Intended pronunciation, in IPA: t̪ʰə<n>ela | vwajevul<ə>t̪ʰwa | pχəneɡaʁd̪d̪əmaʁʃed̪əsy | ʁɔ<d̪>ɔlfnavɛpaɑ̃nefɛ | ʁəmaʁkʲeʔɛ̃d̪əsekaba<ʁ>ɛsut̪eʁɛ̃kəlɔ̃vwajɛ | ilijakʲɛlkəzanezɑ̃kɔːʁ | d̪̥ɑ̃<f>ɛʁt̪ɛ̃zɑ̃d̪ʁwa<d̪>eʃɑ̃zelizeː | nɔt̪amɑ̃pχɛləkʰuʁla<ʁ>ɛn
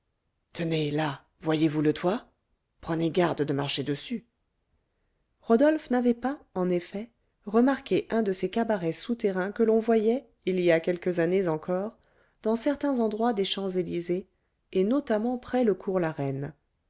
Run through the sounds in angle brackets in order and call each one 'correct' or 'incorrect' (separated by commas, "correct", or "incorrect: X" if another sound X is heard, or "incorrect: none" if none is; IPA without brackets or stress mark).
correct, correct, correct, correct, incorrect: s, correct, correct